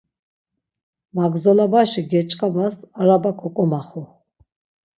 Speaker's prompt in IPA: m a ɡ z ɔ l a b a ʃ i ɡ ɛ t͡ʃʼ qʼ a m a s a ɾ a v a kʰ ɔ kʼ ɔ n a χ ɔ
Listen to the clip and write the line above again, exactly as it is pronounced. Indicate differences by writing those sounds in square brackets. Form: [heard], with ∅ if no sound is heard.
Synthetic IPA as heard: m a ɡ z ɔ l a b a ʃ i ɡ ɛ t͡ʃʼ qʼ a [b] a s a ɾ a [b] a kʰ ɔ kʼ ɔ [m] a χ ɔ